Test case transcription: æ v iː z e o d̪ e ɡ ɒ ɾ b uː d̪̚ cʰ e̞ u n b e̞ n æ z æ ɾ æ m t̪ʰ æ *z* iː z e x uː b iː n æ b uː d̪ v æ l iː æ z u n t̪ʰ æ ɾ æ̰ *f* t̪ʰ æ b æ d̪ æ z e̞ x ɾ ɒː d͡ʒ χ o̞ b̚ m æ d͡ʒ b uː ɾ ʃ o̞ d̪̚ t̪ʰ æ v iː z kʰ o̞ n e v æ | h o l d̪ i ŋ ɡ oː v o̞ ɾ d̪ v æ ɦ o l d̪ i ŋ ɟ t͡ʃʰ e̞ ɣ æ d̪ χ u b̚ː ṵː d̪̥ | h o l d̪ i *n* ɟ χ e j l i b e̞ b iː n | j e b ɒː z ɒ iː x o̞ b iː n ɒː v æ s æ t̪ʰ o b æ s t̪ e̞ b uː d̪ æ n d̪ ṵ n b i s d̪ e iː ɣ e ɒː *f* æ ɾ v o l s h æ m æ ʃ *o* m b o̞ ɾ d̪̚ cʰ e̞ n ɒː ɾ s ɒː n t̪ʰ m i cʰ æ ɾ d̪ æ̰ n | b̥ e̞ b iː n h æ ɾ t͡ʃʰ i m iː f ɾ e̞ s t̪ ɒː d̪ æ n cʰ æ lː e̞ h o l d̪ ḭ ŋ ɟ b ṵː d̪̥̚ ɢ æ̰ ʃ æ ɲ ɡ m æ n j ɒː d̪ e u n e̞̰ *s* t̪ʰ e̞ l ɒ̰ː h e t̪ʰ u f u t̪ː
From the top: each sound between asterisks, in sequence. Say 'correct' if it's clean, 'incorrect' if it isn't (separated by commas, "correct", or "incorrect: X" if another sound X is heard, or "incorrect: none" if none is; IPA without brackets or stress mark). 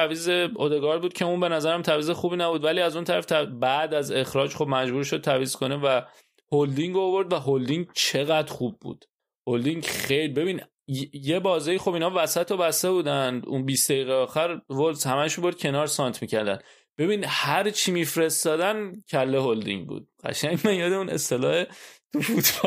incorrect: v, correct, incorrect: ŋ, incorrect: x, incorrect: u, correct